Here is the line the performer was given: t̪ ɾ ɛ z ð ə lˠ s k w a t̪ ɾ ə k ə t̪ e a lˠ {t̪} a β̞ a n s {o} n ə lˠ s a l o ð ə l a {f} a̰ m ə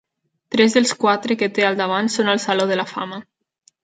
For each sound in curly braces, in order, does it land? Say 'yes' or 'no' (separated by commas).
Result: no, yes, yes